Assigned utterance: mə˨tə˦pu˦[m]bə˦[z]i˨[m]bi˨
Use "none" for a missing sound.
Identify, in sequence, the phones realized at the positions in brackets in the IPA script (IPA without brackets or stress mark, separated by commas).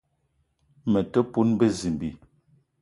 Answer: n, z, m